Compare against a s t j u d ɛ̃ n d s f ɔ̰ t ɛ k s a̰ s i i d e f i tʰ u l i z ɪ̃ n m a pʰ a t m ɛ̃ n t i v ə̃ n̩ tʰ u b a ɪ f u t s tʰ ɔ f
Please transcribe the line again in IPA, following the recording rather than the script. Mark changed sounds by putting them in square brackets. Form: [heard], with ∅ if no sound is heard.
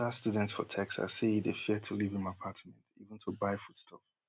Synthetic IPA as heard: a s t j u d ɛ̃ n [t] s f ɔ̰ [tʰ] ɛ k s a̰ s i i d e f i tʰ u l i [v] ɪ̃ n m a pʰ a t m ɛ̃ n t i v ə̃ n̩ tʰ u b a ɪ f u t s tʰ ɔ f